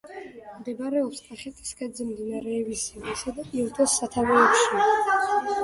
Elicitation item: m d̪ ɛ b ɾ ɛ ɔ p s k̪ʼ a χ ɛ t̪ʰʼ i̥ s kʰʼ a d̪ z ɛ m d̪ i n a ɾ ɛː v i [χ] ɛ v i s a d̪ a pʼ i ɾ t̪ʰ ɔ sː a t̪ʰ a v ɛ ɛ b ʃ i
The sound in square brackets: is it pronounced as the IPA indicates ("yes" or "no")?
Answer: no